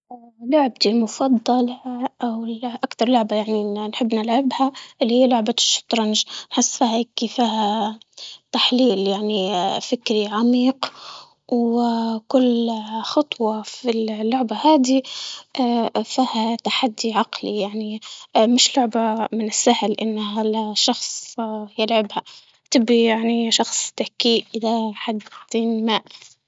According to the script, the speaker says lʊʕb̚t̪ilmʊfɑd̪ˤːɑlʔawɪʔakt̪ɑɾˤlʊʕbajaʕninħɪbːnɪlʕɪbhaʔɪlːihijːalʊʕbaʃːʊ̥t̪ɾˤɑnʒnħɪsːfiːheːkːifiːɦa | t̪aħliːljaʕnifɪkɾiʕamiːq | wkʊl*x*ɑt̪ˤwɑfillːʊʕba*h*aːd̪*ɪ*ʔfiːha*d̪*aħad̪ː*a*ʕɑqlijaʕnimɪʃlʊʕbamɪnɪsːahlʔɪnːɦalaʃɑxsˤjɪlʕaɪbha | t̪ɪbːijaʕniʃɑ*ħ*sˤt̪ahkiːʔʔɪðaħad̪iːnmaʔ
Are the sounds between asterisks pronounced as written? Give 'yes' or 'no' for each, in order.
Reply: yes, yes, no, no, no, no

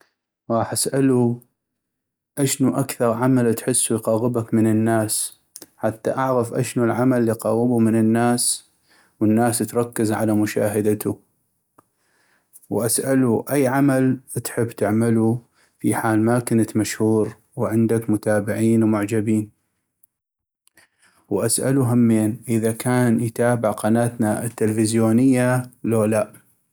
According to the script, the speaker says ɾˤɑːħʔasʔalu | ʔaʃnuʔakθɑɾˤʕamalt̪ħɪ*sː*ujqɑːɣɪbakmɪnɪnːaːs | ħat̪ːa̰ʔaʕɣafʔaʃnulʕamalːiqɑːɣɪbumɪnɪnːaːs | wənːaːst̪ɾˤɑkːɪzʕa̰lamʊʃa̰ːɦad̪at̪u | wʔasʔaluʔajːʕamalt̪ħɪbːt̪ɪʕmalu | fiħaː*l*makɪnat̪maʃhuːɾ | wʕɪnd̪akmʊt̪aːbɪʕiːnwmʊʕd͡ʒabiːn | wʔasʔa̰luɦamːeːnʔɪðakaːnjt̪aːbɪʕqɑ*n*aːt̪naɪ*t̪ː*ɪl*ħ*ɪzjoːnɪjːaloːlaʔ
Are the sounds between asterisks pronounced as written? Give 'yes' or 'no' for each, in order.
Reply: yes, yes, yes, yes, no

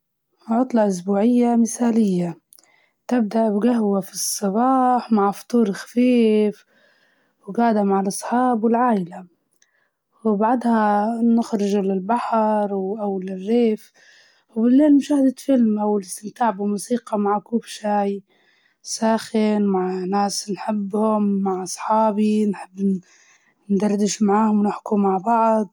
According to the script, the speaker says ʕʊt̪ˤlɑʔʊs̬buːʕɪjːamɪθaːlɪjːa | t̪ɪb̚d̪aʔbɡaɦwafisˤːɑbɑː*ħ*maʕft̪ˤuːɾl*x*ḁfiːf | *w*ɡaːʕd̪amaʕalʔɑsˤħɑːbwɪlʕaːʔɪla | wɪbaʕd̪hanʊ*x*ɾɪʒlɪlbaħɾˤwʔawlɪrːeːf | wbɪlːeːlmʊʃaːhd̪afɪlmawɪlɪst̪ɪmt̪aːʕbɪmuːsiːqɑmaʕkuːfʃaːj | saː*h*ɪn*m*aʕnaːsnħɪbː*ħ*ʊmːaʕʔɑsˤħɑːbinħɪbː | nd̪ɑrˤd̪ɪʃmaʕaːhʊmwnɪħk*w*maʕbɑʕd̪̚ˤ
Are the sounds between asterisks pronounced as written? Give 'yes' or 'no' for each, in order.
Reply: yes, yes, yes, yes, no, yes, no, no

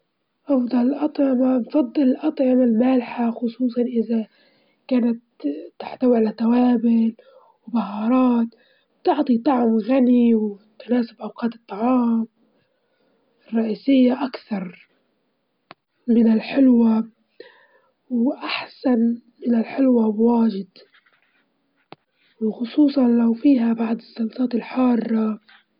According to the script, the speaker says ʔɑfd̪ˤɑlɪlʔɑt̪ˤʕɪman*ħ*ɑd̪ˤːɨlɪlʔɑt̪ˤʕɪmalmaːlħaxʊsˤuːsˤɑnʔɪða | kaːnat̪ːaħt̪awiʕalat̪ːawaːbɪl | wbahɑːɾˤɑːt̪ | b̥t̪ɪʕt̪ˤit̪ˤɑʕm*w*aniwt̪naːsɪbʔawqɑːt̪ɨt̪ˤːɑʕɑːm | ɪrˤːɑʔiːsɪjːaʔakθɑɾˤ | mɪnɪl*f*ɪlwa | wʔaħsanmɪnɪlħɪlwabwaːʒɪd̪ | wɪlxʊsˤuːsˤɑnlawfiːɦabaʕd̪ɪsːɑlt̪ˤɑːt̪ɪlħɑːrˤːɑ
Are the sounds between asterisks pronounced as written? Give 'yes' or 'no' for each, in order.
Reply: no, no, no

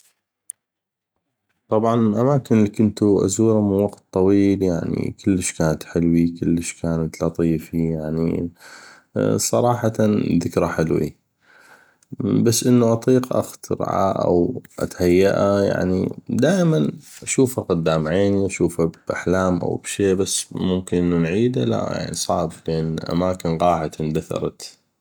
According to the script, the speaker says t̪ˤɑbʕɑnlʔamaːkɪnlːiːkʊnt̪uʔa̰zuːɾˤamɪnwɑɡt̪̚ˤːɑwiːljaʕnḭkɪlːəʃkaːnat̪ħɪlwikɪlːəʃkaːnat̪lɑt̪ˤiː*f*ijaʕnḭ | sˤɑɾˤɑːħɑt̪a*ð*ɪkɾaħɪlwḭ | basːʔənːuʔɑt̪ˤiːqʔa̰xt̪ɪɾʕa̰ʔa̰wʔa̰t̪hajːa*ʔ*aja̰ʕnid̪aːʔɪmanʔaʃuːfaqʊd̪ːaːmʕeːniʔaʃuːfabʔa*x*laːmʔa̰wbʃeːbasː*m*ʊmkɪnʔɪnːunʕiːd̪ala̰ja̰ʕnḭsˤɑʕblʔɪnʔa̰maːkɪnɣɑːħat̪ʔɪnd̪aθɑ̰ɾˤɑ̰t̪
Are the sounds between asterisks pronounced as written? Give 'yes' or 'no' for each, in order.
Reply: yes, yes, yes, no, yes

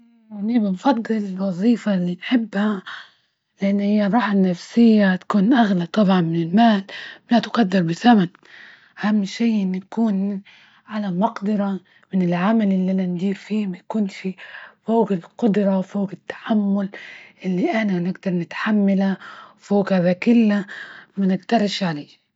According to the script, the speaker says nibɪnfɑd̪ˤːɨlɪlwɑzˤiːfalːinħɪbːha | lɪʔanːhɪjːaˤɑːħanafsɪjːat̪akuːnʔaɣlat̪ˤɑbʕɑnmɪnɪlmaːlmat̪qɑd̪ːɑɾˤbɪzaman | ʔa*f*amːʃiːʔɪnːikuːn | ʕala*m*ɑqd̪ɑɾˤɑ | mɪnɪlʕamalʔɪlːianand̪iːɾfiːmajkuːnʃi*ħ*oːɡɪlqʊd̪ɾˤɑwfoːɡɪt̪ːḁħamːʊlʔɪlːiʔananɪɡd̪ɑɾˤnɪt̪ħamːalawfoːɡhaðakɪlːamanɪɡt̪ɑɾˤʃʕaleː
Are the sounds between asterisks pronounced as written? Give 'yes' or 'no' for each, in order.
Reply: no, yes, no

